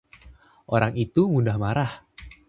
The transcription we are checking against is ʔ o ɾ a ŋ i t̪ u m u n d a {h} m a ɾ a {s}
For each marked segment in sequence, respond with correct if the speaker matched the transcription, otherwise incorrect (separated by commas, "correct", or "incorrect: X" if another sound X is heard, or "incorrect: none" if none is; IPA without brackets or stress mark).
correct, incorrect: h